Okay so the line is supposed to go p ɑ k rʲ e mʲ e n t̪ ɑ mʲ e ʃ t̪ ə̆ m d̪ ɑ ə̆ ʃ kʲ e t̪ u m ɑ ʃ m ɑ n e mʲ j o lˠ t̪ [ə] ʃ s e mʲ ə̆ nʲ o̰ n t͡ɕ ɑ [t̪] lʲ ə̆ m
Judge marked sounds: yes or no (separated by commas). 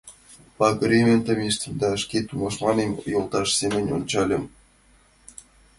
no, no